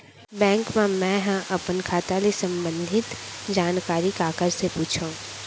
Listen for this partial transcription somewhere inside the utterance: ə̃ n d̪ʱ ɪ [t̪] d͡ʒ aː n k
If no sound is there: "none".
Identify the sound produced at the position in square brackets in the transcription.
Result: t̪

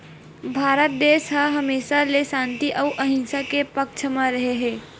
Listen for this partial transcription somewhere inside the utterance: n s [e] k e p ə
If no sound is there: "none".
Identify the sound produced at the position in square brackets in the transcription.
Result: a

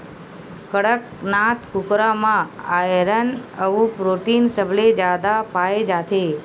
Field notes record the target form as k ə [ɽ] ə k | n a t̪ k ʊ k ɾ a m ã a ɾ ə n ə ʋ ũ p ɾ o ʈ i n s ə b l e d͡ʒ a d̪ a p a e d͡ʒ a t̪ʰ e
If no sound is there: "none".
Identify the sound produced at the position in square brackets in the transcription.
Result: ɽ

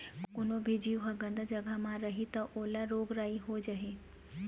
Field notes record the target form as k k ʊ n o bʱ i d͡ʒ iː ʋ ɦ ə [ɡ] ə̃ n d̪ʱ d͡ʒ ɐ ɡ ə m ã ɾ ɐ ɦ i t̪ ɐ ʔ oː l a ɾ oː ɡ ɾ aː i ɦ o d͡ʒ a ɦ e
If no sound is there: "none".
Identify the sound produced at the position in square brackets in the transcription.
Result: ɡ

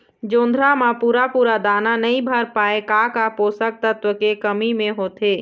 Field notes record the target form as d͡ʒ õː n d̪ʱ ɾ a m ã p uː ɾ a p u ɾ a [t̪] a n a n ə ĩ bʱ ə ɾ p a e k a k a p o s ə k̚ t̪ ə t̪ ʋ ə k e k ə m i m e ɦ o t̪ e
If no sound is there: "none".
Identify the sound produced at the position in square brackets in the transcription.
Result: d̪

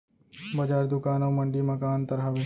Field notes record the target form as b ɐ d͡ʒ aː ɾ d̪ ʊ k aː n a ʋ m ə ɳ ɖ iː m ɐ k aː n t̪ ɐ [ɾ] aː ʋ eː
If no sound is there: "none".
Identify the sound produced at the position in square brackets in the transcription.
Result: ɾ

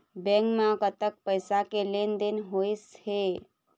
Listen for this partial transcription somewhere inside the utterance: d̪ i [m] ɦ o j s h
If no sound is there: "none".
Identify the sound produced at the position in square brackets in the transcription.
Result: n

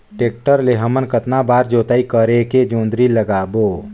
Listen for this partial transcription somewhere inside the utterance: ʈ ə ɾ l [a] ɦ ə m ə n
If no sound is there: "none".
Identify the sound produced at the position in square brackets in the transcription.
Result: e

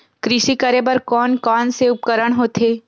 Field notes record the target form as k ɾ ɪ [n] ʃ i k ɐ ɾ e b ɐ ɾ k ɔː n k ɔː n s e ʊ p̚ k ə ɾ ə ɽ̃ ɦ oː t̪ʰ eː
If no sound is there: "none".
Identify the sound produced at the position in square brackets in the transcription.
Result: none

